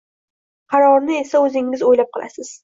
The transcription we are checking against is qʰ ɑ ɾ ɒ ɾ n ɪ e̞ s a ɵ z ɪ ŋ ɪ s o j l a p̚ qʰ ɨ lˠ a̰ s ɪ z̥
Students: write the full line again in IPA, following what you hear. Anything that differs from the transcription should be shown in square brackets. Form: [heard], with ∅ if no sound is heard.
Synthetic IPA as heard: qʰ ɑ ɾ ɒ ɾ n ɪ e̞ s a ɵ z ɪ ŋ ɪ [z] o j l a p̚ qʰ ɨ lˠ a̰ s ɪ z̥